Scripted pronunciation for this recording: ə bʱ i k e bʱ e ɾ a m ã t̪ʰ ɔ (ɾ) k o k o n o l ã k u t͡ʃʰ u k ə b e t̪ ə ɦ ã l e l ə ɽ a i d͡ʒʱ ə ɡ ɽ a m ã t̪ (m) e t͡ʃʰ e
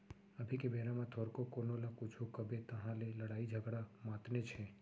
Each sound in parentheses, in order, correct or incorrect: correct, incorrect: n

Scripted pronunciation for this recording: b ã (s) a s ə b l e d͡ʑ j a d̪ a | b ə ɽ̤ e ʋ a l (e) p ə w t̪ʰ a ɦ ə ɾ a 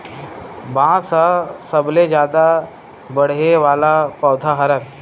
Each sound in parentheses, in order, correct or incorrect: correct, incorrect: a

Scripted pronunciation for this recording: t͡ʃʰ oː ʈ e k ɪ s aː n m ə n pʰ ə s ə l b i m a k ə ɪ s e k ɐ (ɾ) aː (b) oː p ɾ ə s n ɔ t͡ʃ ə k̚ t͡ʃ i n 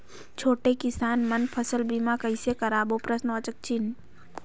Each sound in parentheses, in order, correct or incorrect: correct, correct

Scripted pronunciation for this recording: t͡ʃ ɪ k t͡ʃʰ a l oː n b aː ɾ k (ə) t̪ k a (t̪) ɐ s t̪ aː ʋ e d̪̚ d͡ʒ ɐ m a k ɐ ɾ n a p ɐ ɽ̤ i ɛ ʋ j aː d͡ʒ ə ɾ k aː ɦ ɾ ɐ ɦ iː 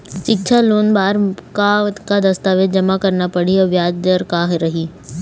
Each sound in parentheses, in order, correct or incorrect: incorrect: a, incorrect: d̪

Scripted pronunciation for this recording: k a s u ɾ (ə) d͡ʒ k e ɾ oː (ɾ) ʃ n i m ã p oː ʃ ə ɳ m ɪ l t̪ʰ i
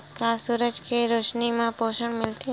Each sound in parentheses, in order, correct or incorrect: correct, incorrect: none

